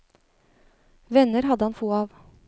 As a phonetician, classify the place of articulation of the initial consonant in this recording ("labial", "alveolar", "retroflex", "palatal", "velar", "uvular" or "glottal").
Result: labial